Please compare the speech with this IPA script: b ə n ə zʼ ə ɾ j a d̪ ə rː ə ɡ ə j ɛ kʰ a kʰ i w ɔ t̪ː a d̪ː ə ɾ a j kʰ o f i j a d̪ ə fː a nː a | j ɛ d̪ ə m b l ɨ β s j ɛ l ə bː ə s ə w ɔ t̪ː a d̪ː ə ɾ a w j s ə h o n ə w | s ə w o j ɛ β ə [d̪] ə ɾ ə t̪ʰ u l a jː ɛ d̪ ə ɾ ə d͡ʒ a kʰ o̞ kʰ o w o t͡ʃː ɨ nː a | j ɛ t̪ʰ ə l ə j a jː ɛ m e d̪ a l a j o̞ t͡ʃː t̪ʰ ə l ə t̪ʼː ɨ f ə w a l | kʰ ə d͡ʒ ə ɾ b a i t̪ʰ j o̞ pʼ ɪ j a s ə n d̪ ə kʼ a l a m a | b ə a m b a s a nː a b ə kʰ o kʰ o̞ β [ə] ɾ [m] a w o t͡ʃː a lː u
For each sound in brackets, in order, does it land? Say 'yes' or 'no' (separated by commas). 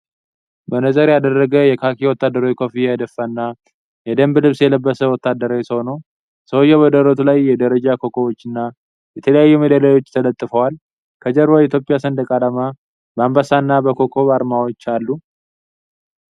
yes, no, yes